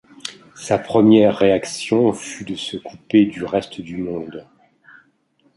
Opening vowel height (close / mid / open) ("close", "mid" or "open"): open